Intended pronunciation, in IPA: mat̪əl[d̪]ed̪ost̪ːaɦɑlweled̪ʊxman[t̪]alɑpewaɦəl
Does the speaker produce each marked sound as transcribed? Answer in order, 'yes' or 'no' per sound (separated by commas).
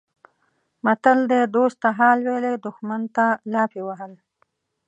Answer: yes, yes